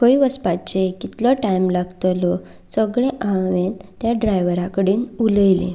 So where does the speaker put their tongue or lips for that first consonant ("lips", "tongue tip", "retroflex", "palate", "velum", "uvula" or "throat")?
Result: velum